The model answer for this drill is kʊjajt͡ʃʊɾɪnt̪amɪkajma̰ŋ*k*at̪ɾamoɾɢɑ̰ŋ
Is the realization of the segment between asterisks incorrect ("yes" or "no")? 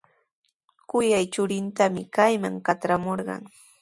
no